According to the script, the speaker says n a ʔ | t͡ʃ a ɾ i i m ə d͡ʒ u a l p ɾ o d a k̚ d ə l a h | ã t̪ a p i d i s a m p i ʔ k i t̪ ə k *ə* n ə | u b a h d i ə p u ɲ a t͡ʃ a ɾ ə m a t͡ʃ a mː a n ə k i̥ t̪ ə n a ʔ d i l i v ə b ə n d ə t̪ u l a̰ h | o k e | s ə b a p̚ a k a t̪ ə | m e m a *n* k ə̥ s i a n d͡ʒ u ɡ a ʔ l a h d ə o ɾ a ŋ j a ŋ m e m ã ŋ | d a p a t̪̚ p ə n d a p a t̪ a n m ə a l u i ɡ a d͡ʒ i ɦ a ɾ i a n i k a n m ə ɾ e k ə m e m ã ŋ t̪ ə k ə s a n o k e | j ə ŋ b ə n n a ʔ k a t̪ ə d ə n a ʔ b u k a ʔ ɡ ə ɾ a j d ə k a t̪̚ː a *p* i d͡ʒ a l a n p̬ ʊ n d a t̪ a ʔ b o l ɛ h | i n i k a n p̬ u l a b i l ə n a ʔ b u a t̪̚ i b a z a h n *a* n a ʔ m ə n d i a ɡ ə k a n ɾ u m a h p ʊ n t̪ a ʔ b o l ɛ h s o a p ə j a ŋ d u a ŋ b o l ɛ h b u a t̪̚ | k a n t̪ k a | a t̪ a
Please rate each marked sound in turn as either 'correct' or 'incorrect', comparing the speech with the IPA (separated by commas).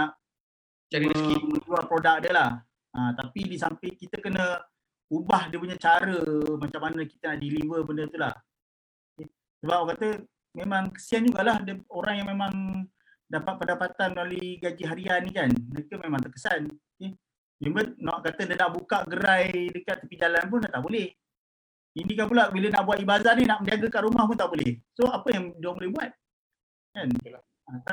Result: correct, incorrect, correct, incorrect